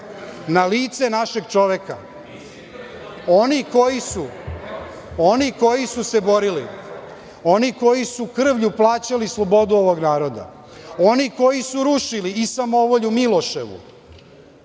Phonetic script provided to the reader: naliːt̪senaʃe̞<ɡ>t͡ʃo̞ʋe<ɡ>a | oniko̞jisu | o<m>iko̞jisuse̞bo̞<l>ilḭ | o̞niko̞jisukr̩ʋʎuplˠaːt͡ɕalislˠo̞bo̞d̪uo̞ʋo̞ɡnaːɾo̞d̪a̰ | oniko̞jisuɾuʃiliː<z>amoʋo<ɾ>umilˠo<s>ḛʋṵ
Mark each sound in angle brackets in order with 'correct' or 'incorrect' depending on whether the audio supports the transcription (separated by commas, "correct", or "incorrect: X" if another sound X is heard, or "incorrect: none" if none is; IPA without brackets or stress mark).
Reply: correct, incorrect: k, incorrect: n, incorrect: ɾ, incorrect: s, incorrect: ʎ, incorrect: ʃ